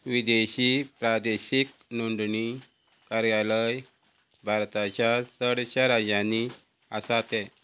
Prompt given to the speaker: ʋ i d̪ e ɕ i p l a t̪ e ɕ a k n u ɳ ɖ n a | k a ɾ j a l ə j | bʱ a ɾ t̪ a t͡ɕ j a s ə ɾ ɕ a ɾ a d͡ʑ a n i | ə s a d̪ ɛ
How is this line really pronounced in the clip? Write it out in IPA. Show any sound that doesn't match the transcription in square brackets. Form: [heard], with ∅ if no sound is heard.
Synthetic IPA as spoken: ʋ i d̪ e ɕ i p [ɾ] a [d̪] e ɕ [i] k n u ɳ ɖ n [i] | k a ɾ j a l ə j | bʱ a ɾ t̪ a t͡ɕ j a s ə [ɽ] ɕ a ɾ a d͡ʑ a n i | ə s a [t̪] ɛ

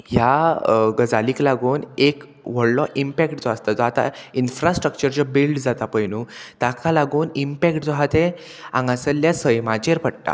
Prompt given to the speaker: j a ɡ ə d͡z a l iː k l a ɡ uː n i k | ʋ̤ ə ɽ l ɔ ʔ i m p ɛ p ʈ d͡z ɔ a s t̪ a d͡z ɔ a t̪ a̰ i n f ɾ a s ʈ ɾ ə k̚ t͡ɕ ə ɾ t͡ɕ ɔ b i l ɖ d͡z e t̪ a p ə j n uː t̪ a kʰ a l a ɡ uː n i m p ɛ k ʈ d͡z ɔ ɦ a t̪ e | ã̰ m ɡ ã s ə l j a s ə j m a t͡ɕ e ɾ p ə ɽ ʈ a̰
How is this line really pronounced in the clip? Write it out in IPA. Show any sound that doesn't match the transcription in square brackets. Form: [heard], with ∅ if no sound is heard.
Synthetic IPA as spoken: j a ɡ ə d͡z a l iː k l a ɡ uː n [e] k | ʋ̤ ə ɽ l ɔ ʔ i m p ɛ [k] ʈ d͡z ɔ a s t̪ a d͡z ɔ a t̪ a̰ i n f ɾ a s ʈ ɾ ə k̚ t͡ɕ ə ɾ t͡ɕ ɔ b i l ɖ d͡z [a] t̪ a p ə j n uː t̪ a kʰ a l a ɡ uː n i m p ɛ k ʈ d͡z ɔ ɦ a t̪ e | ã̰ [ŋ] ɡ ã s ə l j a s ə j m a t͡ɕ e ɾ p ə ɽ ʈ a̰

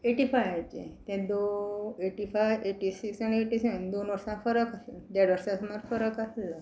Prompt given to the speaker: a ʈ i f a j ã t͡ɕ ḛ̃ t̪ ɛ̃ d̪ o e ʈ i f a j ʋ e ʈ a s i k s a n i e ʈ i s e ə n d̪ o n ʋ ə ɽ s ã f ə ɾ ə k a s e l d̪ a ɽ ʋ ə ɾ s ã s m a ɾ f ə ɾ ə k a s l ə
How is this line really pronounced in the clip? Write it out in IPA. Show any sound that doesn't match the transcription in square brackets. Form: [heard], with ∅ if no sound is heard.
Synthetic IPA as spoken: [e] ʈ i f a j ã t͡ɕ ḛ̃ t̪ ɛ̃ d̪ o e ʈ i f a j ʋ e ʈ [i] s i k s a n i e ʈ i s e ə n d̪ o n ʋ ə [ɾ] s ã f ə ɾ ə k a s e l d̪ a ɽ ʋ ə ɾ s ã s m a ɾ f ə ɾ ə k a s l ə

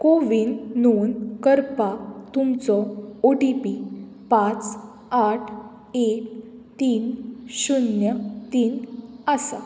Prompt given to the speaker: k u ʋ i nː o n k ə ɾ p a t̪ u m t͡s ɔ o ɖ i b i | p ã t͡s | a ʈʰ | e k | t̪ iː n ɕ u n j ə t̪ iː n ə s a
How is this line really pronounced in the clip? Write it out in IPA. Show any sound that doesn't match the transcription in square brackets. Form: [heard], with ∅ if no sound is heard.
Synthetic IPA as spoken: k [o] ʋ i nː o n k ə ɾ p a t̪ u m t͡s ɔ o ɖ i [p] i | p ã t͡s | a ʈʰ | e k | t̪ iː n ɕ u n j ə t̪ iː n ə s a

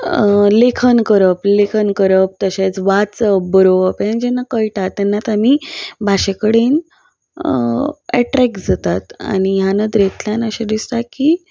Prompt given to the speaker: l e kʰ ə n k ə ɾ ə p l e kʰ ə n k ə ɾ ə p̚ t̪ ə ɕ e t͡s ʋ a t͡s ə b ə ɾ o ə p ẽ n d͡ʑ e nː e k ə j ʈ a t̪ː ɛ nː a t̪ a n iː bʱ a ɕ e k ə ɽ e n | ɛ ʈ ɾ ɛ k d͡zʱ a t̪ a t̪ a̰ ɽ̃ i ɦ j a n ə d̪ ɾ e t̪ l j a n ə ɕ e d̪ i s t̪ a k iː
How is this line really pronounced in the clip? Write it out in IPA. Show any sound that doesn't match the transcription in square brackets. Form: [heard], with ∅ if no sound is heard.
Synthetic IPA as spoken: l e kʰ ə n k ə ɾ ə p l e kʰ ə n k ə ɾ ə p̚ t̪ ə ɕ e t͡s ʋ a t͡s ə b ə ɾ o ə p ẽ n d͡ʑ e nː [a] k ə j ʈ a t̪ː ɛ nː a t̪ a [m] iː bʱ a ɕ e k ə ɽ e n | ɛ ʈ ɾ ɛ k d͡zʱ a t̪ a t̪ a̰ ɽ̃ i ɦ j a n ə d̪ ɾ e t̪ l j a n ə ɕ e d̪ i s t̪ a k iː

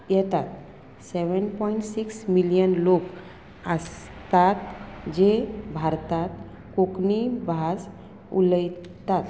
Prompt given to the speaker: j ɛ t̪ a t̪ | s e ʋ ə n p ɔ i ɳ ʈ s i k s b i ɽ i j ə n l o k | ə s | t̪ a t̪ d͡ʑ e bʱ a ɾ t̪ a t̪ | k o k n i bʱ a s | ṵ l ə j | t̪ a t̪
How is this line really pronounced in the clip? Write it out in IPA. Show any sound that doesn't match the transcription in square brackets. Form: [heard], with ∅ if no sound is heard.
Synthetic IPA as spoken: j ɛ t̪ a t̪ | s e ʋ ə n p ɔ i ɳ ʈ s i k s [m] i [l] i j ə n l o k | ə s | t̪ a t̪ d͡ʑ e bʱ a ɾ t̪ a t̪ | k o k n i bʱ a s | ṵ l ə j | t̪ a t̪

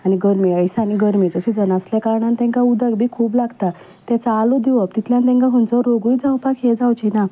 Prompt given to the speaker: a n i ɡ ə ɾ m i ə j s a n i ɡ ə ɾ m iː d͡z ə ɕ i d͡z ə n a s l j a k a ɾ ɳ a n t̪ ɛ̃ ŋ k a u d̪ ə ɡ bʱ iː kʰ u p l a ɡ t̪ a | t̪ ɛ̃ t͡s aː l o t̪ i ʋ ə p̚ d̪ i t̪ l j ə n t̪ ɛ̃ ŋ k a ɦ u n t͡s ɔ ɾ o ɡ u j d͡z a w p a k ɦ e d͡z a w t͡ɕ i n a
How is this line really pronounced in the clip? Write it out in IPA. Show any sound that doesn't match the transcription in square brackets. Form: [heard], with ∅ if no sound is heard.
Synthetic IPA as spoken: a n i ɡ ə ɾ m i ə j s a n i ɡ ə ɾ m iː d͡z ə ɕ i d͡z ə n a s l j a k a ɾ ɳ a n t̪ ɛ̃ ŋ k a u d̪ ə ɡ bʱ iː kʰ [uː] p l a ɡ t̪ a | t̪ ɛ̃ t͡s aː l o [d̪] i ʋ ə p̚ [t̪] i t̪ l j [a] n t̪ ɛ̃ ŋ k a ɦ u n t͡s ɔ ɾ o ɡ u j d͡z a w p a k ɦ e d͡z a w t͡ɕ i n a

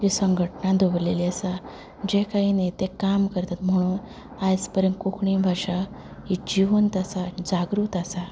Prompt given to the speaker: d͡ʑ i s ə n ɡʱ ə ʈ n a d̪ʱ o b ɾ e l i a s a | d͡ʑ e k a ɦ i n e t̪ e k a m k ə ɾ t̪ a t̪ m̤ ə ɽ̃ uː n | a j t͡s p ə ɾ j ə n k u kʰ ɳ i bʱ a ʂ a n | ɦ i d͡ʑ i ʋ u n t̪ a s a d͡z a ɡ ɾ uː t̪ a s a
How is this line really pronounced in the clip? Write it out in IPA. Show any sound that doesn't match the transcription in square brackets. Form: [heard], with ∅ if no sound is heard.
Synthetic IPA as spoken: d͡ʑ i s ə [ŋ] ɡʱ ə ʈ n a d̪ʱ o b [l] e l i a s a | d͡ʑ e k a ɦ i n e t̪ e k a m k ə ɾ t̪ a t̪ m̤ ə ɽ̃ uː n | a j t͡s p ə ɾ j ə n k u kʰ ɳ i bʱ a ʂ a [∅] | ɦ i d͡ʑ i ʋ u n t̪ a s a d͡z a ɡ ɾ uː t̪ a s a

